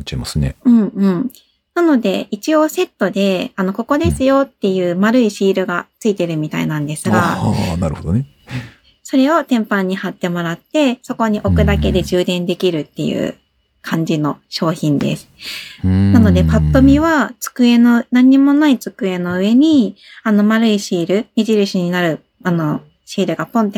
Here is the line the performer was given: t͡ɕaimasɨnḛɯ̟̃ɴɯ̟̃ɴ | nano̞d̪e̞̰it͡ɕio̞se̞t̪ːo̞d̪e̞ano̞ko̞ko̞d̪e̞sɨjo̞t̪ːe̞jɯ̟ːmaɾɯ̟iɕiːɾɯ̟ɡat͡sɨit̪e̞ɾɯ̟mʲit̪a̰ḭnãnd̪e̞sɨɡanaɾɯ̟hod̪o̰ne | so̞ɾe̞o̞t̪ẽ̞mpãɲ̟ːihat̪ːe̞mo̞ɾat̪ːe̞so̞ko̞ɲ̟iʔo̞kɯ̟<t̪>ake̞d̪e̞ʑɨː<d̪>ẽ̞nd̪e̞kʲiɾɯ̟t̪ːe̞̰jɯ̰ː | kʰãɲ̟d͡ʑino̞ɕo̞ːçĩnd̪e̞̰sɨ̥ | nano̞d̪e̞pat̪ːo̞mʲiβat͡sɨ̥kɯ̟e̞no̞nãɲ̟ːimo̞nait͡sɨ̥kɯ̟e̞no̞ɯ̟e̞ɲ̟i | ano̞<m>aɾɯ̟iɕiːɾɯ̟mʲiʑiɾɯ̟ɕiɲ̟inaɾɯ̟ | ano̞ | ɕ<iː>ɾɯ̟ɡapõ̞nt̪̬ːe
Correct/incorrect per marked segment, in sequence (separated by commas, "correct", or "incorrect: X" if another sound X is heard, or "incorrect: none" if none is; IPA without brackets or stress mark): incorrect: d̪, correct, correct, correct